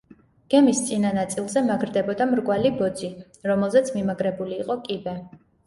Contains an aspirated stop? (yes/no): no